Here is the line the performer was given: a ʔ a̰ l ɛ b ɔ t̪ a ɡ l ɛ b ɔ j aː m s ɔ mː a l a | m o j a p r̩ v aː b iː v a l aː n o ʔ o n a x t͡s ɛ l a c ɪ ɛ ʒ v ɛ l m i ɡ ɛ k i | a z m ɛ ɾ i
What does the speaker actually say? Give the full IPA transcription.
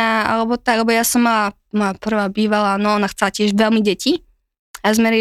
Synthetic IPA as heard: a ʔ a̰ l ɛ b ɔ t̪ a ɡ l ɛ b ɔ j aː s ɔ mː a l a | m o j a p r̩ v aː b iː v a l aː n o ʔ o n a x t͡s ɛ l a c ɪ ɛ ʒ v ɛ l m i ɟ ɛ c i | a z m ɛ ɾ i